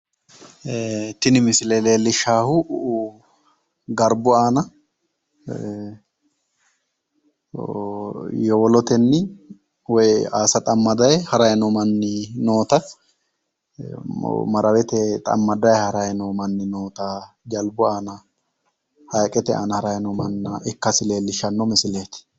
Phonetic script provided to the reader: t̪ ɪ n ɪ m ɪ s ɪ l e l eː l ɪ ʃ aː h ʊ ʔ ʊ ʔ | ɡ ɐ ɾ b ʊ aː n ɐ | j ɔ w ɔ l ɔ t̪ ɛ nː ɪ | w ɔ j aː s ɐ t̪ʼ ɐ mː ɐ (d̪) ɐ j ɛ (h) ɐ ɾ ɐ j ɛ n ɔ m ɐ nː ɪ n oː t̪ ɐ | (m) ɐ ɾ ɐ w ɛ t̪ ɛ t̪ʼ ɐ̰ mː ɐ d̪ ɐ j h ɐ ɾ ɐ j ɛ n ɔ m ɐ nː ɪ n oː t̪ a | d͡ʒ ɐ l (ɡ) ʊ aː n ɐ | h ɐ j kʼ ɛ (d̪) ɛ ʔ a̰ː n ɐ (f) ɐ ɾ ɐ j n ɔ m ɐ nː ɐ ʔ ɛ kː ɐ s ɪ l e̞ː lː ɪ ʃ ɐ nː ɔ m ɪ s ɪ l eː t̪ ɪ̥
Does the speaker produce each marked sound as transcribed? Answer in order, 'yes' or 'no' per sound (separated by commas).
yes, yes, yes, no, no, no